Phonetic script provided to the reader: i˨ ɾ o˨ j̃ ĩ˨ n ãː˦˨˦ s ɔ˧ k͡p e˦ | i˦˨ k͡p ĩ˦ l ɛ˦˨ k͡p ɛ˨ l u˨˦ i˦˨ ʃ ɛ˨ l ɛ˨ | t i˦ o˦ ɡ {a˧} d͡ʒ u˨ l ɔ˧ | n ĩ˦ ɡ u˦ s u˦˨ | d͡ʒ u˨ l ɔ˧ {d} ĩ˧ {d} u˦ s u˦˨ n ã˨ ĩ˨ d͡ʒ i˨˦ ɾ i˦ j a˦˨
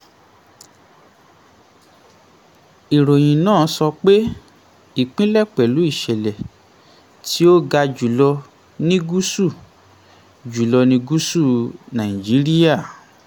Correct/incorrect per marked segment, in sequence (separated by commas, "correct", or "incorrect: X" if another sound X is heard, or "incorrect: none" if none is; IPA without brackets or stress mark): correct, incorrect: n, incorrect: ɡ